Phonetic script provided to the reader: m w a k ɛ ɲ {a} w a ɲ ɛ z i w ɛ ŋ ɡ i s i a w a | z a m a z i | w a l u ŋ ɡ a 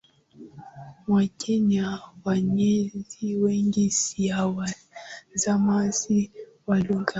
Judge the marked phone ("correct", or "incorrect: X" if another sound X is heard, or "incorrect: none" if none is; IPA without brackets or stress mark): correct